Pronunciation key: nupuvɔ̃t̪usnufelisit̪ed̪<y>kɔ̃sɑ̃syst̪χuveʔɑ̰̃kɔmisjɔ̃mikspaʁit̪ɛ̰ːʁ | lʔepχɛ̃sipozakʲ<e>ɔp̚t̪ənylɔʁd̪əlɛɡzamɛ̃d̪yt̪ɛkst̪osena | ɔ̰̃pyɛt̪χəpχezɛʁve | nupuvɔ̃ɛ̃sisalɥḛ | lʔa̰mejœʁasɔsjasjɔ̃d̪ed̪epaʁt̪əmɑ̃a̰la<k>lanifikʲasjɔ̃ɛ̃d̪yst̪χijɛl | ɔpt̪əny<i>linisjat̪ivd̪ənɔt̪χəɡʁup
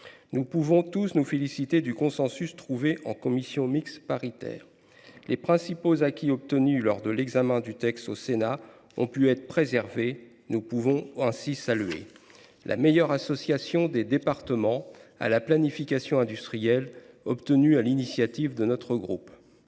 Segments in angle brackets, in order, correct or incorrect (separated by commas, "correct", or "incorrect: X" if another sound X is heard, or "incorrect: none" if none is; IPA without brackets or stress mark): correct, incorrect: i, incorrect: p, incorrect: a